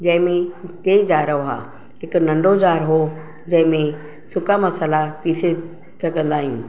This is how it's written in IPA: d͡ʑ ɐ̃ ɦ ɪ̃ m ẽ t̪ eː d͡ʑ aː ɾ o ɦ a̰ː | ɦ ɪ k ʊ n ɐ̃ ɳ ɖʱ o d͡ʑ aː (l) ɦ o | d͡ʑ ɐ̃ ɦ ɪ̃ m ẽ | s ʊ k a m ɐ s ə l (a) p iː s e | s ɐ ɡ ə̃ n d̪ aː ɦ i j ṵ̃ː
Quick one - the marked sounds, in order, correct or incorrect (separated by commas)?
incorrect, correct